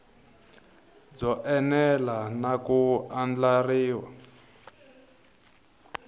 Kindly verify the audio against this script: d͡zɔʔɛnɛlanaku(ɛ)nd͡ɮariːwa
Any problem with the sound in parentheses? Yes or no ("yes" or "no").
yes